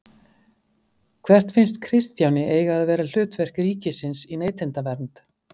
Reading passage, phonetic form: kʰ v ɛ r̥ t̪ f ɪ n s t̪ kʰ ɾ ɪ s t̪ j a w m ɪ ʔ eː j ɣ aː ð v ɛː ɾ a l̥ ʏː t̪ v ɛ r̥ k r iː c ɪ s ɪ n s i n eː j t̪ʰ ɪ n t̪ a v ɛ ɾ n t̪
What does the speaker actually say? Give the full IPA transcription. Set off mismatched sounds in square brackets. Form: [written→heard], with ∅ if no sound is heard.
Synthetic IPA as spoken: kʰ v ɛ r̥ t̪ f ɪ n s t̪ kʰ ɾ ɪ s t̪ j a w [m→n] ɪ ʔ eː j ɣ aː ð v ɛː ɾ a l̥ ʏː t̪ v ɛ r̥ k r iː c ɪ s ɪ n s i n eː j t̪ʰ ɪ n t̪ a v ɛ ɾ n t̪